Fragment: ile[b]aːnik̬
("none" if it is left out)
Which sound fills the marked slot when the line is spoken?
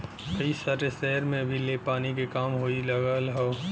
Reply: p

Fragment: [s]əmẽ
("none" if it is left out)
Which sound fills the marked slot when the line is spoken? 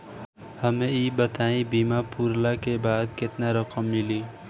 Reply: h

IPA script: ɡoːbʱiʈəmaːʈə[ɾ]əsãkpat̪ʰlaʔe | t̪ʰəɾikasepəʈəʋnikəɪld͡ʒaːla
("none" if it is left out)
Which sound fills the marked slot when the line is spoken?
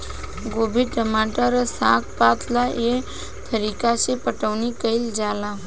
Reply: ɾ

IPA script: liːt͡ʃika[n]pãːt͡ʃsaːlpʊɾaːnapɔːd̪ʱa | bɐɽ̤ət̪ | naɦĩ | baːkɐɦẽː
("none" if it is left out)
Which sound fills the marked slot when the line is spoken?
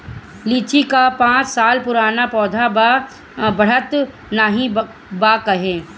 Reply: none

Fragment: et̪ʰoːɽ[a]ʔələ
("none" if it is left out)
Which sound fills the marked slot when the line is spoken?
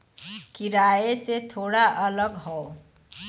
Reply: a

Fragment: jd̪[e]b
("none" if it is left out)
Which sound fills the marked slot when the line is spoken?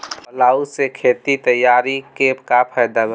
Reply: a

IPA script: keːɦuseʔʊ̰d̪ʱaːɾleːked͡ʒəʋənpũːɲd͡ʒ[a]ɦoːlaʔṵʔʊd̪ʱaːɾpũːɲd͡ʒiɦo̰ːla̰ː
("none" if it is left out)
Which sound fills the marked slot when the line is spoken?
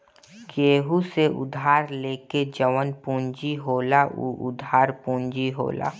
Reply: i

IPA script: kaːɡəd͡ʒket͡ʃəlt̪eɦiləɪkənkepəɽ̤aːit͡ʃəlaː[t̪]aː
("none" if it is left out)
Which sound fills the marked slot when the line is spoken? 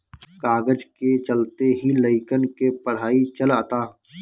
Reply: t̪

